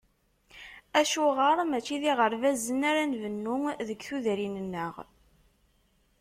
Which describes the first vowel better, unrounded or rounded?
unrounded